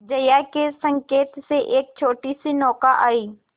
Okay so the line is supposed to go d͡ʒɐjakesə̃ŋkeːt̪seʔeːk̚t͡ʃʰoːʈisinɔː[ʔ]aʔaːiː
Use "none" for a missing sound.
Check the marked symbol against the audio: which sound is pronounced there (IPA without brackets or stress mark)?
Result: k